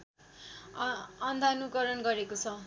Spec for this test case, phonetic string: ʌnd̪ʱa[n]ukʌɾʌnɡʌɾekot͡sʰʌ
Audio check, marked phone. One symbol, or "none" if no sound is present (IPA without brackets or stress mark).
n